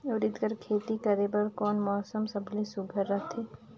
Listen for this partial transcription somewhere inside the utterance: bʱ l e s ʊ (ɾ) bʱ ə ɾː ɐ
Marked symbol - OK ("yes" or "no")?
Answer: no